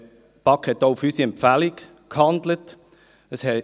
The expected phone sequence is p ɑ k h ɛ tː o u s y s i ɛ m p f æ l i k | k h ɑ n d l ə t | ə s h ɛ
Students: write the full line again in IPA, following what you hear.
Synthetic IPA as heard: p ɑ k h ɛ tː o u f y s i ɛ m p f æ l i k | k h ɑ n d l ə t | ə s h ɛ